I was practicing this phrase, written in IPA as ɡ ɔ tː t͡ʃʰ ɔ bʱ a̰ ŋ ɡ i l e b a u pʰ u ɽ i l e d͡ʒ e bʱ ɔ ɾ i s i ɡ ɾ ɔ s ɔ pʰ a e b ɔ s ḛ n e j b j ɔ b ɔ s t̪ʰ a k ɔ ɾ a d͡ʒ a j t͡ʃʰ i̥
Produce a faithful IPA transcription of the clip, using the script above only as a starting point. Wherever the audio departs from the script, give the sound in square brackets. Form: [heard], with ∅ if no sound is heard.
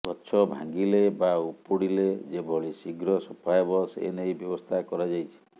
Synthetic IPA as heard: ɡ ɔ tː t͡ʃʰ ɔ bʱ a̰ ŋ ɡ i l e b a u [p] u ɽ i l e d͡ʒ e bʱ ɔ [ɭ] i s i ɡ ɾ ɔ s ɔ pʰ a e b ɔ s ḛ n e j b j ɔ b ɔ s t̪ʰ a k ɔ ɾ a d͡ʒ a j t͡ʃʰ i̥